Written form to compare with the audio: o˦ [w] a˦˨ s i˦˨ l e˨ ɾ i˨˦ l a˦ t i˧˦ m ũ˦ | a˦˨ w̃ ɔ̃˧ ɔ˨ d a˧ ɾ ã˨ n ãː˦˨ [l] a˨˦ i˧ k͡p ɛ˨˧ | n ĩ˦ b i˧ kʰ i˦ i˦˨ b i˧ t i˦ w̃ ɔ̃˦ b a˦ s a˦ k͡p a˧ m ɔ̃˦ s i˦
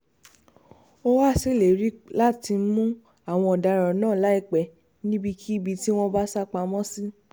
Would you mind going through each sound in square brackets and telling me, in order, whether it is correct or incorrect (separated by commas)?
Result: correct, correct